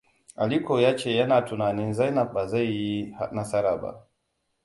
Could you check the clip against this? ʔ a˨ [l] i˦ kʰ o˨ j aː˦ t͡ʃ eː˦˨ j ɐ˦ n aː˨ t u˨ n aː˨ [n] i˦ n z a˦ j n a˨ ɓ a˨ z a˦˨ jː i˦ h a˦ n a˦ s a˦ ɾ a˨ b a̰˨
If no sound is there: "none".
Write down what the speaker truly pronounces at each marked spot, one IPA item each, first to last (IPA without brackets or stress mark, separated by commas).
l, n